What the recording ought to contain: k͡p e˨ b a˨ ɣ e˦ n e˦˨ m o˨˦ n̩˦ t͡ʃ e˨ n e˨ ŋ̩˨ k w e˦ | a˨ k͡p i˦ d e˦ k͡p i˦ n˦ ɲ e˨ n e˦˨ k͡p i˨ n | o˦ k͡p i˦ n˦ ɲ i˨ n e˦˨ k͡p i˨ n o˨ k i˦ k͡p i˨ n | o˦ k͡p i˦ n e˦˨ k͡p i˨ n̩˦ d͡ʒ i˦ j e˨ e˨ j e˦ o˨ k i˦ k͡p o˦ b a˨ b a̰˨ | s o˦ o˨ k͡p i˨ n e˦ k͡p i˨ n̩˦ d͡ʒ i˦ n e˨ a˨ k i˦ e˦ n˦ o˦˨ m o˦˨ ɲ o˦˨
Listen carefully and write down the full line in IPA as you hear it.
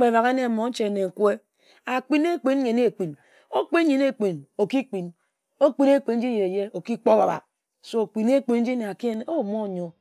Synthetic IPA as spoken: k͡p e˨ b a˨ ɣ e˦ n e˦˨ m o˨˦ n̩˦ t͡ʃ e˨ n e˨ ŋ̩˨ k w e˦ | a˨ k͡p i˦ n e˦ k͡p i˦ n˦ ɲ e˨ n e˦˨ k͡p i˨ n | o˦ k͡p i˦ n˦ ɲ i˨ n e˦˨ k͡p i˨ n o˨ k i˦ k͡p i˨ n | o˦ k͡p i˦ n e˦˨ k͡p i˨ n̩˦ d͡ʒ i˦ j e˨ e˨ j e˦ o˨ k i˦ k͡p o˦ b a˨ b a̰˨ | s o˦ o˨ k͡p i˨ n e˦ k͡p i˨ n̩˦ d͡ʒ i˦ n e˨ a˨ k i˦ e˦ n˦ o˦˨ m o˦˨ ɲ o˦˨

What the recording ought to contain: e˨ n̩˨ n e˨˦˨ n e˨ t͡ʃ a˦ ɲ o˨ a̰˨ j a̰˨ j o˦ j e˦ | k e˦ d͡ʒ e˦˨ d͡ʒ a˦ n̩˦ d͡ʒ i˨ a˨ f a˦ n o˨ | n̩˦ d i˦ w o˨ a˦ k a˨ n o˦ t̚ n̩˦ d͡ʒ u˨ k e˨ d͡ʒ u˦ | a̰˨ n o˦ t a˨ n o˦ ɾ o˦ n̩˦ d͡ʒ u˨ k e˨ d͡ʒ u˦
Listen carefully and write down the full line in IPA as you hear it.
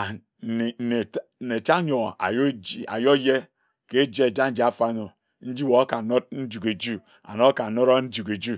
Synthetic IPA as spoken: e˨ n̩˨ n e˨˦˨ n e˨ t͡ʃ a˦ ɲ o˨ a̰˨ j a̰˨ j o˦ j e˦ | k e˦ d͡ʒ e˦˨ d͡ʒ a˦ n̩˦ d͡ʒ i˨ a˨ f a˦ n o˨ | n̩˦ d͡ʒ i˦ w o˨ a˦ k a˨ n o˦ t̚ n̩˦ d͡ʒ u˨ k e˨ d͡ʒ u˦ | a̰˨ n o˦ k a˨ n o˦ ɾ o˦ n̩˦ d͡ʒ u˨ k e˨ d͡ʒ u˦

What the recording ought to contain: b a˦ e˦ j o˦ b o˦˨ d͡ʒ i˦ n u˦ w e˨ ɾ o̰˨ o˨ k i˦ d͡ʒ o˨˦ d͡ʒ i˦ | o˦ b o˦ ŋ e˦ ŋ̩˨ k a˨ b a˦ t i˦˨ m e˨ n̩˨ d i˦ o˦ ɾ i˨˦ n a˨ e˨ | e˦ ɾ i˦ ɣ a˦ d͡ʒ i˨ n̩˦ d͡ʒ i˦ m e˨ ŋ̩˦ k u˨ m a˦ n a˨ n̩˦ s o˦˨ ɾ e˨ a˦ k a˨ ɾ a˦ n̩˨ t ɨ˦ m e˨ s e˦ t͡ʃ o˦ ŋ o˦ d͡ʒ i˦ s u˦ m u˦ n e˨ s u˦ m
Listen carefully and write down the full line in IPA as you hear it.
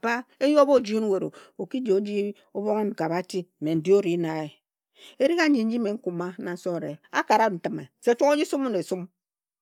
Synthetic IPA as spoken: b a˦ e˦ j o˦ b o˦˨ d͡ʒ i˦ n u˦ w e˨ ɾ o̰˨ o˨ k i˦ d͡ʒ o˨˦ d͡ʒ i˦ | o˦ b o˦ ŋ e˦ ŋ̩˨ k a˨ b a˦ t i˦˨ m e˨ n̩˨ d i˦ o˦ ɾ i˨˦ n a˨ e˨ | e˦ ɾ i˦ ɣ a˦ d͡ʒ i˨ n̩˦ d͡ʒ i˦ m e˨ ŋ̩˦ k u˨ m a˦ n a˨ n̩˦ s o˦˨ ɾ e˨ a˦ k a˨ ɾ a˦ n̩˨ t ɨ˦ m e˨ s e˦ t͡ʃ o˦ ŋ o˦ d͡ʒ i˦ s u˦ m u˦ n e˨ s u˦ m

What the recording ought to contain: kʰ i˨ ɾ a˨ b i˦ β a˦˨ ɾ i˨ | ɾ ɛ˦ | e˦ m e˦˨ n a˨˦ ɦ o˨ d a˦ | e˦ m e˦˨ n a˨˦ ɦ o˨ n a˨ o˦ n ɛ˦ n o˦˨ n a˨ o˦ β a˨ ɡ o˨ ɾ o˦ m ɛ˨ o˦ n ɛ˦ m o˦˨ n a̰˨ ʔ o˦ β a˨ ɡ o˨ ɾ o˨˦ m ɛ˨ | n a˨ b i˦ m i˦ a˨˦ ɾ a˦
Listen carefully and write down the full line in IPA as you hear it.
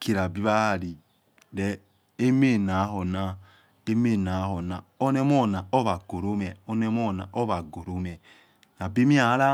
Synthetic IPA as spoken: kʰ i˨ ɾ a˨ b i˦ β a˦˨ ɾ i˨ | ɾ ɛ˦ | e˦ m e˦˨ n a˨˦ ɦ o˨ n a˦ | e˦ m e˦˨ n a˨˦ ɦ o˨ n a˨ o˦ n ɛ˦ m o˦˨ n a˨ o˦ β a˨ ɡ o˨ ɾ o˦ m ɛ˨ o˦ n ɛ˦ m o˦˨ n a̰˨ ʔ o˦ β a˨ ɡ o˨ ɾ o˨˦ m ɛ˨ | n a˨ b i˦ m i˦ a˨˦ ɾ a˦

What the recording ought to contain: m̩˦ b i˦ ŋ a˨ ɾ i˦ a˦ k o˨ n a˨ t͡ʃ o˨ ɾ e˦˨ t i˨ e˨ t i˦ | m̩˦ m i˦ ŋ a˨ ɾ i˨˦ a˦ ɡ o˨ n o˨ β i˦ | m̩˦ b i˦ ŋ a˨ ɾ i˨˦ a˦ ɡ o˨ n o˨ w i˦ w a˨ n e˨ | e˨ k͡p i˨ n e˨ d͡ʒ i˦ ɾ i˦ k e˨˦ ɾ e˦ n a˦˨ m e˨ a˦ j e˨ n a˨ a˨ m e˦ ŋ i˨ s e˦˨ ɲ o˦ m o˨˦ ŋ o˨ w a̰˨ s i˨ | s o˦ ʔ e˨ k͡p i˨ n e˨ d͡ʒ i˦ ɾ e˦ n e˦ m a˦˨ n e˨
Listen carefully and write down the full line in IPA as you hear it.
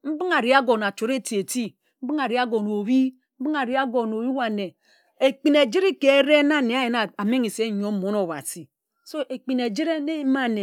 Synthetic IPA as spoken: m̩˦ b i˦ ŋ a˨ ɾ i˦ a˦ ɡ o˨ n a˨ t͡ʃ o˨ ɾ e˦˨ t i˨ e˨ t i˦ | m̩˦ b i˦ ŋ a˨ ɾ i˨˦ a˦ ɡ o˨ n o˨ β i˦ | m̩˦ b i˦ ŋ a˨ ɾ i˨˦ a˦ ɡ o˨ n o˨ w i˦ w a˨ n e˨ | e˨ k͡p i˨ n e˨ d͡ʒ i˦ ɾ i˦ k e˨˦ ɾ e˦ n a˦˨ n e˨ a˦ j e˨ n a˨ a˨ m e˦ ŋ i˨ s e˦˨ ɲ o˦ m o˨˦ n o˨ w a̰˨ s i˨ | s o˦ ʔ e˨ k͡p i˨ n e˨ d͡ʒ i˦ ɾ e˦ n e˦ m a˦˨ n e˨

